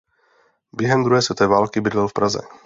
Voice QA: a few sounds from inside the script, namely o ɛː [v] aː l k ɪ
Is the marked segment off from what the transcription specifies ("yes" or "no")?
no